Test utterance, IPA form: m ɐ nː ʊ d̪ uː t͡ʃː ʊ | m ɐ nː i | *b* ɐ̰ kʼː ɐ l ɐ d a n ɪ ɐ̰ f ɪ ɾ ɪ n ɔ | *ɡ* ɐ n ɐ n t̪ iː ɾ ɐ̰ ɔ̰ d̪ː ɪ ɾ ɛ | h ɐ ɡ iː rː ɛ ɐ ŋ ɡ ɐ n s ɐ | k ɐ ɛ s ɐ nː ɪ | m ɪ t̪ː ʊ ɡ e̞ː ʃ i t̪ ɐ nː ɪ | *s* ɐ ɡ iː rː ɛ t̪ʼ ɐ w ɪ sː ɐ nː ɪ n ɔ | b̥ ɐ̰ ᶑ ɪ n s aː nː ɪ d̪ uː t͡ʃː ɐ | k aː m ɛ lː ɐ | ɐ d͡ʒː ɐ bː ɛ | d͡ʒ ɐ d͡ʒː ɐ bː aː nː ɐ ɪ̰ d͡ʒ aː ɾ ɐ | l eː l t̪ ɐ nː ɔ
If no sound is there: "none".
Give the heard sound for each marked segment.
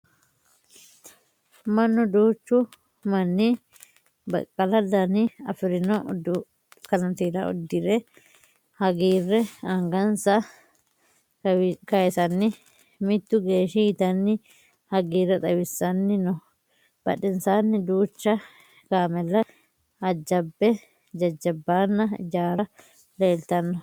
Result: b, k, h

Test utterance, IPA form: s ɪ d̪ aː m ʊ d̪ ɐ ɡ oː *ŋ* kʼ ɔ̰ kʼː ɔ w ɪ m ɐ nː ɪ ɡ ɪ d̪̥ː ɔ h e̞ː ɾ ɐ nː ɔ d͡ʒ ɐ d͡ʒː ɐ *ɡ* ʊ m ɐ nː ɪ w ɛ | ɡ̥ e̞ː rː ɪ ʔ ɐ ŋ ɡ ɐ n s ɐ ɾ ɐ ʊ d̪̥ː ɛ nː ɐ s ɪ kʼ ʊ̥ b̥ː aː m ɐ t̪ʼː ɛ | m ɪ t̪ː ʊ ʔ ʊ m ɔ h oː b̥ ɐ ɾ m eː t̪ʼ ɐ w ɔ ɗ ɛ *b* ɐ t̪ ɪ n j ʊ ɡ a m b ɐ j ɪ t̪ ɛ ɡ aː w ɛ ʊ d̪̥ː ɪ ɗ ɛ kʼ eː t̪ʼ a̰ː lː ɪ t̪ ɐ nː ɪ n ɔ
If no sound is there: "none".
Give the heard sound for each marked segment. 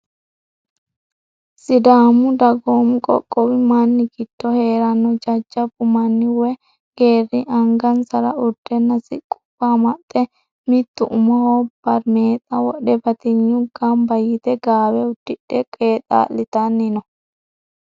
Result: m, b, b

